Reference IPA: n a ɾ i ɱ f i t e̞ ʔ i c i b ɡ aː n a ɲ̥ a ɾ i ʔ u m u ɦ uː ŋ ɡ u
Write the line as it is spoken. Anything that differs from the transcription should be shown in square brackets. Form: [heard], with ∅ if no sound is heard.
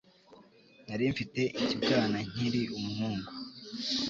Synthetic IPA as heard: n a ɾ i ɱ f i t e̞ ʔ i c i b ɡ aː n a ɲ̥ [i] ɾ i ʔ u m u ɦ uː ŋ ɡ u